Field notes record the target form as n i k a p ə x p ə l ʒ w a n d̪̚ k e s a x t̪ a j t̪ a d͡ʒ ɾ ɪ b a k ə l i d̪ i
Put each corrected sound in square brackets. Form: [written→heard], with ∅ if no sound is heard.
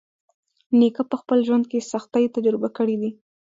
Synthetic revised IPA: n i k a p ə x p ə l ʒ w a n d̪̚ k e s a x t̪ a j t̪ a d͡ʒ ɾ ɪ b a k ə [l→ɽ] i d̪ i